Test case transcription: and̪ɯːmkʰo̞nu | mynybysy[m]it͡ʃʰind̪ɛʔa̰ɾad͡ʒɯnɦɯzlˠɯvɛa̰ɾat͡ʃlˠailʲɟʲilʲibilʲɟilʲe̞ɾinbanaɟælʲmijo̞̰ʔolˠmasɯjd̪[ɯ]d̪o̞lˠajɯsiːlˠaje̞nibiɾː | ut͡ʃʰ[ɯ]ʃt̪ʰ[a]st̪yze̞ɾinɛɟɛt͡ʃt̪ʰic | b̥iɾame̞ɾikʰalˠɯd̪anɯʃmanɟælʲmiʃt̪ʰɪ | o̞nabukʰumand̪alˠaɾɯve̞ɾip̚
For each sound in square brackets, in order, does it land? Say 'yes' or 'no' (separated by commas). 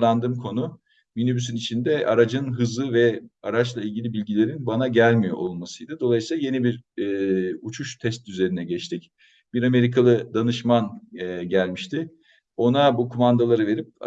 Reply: no, yes, no, no